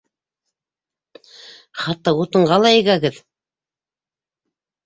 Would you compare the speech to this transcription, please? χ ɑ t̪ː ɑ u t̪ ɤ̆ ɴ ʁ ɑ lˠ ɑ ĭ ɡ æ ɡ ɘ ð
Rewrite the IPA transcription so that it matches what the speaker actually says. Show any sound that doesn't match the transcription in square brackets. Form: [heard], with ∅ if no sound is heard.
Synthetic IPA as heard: χ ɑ t̪ː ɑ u t̪ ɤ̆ ɴ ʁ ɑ lˠ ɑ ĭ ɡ æ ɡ ɘ ð

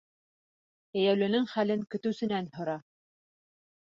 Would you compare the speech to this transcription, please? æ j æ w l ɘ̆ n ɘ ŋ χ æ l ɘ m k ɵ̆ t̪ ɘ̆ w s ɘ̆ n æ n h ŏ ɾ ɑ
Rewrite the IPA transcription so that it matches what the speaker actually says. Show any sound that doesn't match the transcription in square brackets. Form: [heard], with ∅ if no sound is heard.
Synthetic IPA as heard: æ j æ w l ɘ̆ n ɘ ŋ χ æ l ɘ [ŋ] k ɵ̆ t̪ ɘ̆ w s ɘ̆ n æ n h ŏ ɾ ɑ

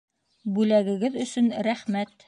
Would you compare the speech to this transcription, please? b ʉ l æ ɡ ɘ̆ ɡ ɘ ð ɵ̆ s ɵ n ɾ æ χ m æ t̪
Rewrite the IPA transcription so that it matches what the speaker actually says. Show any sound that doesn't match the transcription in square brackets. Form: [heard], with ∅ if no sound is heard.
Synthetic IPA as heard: b ʉ l æ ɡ ɘ̆ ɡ ɘ ð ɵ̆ s ɵ n ɾ æ χ m æ t̪

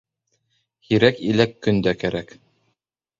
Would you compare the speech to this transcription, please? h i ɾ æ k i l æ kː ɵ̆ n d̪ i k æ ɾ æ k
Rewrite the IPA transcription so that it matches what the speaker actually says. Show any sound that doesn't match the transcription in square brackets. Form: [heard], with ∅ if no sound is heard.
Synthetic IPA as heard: h i ɾ æ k i l æ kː ɵ̆ n d̪ [æ] k æ ɾ æ k

